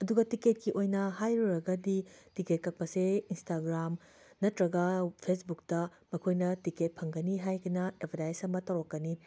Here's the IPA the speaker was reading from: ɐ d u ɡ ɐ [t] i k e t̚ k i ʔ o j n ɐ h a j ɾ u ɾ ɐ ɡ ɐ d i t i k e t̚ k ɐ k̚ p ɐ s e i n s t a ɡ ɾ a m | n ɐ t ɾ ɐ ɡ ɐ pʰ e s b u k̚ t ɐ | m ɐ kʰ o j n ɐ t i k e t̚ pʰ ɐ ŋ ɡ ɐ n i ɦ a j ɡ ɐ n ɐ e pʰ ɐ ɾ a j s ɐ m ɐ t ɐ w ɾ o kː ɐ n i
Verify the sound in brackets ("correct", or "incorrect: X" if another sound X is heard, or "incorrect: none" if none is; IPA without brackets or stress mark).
correct